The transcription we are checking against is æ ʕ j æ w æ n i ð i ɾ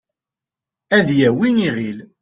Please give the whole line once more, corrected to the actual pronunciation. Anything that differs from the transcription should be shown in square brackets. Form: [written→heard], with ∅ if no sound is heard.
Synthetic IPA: æ [ʕ→ð] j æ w [æ→i] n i [ð→ʁ] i [ɾ→l]